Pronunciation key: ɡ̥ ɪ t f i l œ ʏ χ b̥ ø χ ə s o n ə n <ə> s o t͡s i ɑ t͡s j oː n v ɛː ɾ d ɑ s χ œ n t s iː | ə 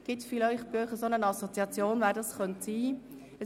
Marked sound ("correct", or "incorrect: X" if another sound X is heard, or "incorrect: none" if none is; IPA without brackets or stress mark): incorrect: ɑ